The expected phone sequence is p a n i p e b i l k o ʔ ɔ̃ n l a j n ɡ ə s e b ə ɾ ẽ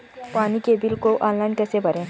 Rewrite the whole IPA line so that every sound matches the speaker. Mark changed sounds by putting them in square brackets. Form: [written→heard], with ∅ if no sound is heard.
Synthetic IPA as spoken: p a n i [p→k] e b i l k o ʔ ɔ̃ n l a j n [ɡ→k] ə s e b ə ɾ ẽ